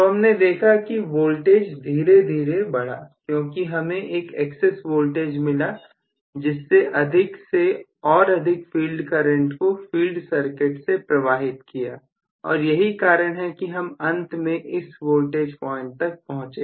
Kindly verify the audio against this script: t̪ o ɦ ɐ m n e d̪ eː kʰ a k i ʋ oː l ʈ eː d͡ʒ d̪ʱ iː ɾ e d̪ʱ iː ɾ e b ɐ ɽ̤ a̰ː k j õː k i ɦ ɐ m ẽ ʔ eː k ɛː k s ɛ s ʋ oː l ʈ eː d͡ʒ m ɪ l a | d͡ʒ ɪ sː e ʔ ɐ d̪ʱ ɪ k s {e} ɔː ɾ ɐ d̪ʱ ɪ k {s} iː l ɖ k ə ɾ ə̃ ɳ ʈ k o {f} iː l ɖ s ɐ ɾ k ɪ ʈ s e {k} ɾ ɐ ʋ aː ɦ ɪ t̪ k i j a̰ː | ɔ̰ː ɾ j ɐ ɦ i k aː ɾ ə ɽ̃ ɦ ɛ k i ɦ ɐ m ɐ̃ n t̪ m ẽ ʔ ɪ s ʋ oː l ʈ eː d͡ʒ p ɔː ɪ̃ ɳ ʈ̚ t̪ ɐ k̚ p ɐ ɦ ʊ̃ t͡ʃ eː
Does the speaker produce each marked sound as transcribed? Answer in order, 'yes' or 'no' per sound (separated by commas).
yes, no, yes, no